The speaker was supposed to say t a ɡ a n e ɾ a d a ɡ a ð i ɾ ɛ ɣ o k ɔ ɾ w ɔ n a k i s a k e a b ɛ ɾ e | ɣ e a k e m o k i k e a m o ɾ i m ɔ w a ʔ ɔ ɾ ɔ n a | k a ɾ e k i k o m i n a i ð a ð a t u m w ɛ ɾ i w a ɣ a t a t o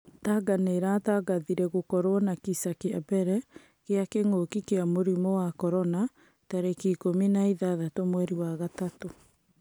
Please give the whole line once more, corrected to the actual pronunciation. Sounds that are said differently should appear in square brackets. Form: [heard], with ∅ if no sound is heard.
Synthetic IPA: t a ɡ a n e ɾ a [t] a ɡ a ð i ɾ ɛ ɣ o k ɔ ɾ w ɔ n a k i s a k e a b ɛ ɾ [ɛ] | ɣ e a k e [ŋ] o k i k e a m o ɾ i m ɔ w a [k] ɔ ɾ ɔ n a | [t] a ɾ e k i k o m i n a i ð a ð a t [o] m w ɛ ɾ i w a ɣ a t a t o